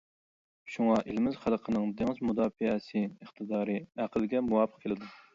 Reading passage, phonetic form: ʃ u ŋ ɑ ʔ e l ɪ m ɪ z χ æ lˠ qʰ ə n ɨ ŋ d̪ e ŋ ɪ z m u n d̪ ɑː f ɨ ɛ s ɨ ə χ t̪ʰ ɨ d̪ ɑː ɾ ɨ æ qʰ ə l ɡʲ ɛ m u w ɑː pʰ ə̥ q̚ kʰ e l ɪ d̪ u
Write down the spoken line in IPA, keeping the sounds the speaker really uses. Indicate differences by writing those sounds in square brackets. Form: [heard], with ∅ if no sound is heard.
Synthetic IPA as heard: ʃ u ŋ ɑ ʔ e l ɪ m ɪ z χ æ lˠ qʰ ə n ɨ ŋ d̪ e ŋ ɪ z m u [∅] d̪ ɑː f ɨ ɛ s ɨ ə χ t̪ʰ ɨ d̪ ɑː ɾ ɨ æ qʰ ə l ɡʲ ɛ m u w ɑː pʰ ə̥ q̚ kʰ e l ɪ d̪ u